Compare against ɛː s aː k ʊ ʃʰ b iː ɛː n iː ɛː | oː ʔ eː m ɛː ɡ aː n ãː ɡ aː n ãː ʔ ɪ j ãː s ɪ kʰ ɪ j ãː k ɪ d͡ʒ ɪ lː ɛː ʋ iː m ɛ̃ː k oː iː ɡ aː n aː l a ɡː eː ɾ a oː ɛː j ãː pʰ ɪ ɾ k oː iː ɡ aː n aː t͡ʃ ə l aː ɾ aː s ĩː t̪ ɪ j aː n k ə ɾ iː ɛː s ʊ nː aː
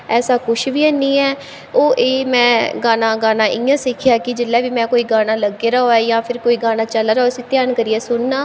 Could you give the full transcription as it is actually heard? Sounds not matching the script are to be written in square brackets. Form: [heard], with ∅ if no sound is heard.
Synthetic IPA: ɛː s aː k ʊ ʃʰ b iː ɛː n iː ɛː | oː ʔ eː m [ɛ̃ː] ɡ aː n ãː ɡ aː n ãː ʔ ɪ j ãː s ɪ kʰ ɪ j [aː] k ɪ d͡ʒ ɪ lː ɛː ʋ iː m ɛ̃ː k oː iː ɡ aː n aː l [ə] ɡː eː ɾ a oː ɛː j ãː pʰ ɪ ɾ k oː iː ɡ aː n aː t͡ʃ ə l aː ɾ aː s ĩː t̪ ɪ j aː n k ə ɾ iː ɛː s ʊ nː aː